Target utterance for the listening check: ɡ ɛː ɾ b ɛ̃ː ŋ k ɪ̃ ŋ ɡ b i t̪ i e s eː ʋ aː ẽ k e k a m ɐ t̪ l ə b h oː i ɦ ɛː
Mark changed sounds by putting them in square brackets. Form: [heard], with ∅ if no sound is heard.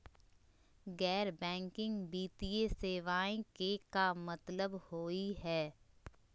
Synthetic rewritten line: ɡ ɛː ɾ b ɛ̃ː ŋ k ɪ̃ ŋ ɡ b [iː] t̪ i e s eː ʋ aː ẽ k e k a m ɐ t̪ l ə b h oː i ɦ ɛː